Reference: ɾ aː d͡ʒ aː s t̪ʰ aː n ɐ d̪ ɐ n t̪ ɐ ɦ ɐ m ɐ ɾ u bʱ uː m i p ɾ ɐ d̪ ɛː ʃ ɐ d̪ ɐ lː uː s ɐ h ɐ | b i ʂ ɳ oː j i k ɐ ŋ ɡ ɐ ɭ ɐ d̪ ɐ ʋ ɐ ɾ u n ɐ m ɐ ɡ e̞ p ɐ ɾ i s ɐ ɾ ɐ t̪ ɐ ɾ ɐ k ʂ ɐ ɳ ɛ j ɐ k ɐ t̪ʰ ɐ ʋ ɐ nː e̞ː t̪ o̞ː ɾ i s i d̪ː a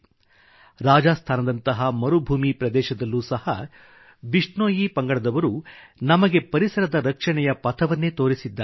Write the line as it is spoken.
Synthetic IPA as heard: ɾ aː d͡ʒ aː s t̪ʰ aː n ɐ d̪ ɐ n t̪ ɐ ɦ ɐ m ɐ ɾ u bʱ uː m i p ɾ ɐ d̪ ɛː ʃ ɐ d̪ ɐ lː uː s ɐ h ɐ | b i ʂ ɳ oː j i p ɐ ŋ ɡ ɐ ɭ ɐ d̪ ɐ ʋ ɐ ɾ u n ɐ m ɐ ɡ e̞ p ɐ ɾ i s ɐ ɾ ɐ d̪ ɐ ɾ ɐ k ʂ ɐ ɳ ɛ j ɐ p ɐ t̪ʰ ɐ ʋ ɐ nː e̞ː t̪ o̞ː ɾ i s i d̪ː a